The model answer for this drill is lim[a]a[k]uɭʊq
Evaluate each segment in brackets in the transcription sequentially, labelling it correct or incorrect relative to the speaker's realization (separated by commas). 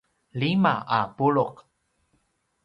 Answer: correct, incorrect